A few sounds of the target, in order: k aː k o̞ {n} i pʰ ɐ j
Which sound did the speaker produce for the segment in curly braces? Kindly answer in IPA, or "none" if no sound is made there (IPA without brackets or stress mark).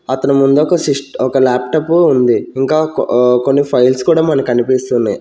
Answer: nː